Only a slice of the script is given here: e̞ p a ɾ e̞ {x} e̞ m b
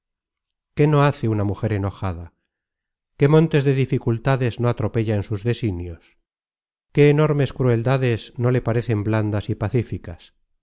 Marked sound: incorrect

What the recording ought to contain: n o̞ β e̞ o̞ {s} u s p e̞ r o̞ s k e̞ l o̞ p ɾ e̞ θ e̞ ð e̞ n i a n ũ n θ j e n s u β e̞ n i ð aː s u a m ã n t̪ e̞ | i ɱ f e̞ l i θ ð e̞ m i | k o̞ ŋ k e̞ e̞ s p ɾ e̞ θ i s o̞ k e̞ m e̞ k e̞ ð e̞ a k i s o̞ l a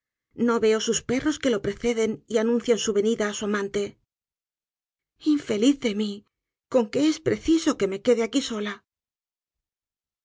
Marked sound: correct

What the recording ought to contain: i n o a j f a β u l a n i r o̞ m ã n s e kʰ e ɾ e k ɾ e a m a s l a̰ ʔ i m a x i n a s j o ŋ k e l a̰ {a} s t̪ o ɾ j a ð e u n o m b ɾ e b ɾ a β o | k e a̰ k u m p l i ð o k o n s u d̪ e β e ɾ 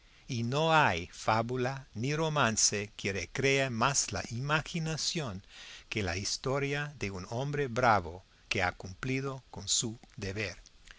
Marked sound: incorrect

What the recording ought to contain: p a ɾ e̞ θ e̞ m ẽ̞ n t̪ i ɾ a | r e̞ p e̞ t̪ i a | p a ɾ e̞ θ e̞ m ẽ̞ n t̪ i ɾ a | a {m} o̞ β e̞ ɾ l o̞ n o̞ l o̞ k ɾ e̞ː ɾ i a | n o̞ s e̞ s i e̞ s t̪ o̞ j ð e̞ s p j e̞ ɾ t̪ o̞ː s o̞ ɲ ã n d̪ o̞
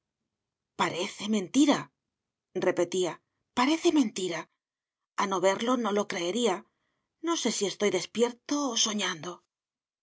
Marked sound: incorrect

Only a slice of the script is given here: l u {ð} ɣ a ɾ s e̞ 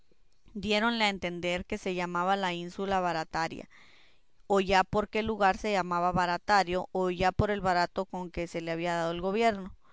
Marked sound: incorrect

